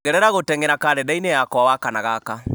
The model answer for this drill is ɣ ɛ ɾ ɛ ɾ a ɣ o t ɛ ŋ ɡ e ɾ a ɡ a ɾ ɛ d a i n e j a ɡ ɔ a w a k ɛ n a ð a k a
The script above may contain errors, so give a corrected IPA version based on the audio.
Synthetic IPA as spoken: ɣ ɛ ɾ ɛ ɾ a ɣ o t ɛ ŋ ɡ e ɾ a k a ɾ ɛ d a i n e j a k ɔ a w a k a n a ɣ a k a